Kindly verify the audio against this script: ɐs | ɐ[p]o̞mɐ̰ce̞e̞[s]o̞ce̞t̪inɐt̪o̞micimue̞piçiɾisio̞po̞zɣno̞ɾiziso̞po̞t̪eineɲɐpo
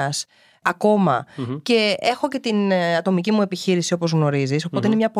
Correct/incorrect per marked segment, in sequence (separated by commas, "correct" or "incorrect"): incorrect, incorrect